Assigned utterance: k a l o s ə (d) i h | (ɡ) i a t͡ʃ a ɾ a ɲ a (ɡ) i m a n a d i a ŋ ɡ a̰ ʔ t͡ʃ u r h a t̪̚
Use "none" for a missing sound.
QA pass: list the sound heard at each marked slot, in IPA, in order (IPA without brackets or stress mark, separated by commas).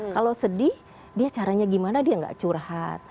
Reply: d, d, ɡ